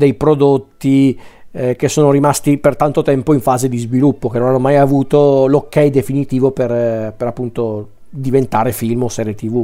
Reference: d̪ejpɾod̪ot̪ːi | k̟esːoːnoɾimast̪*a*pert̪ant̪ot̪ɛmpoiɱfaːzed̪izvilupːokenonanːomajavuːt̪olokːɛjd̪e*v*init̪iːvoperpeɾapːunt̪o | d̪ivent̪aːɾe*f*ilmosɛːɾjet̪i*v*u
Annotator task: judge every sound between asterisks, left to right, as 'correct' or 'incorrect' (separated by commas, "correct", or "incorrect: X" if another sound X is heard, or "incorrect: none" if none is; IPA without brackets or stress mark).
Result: incorrect: i, incorrect: f, correct, correct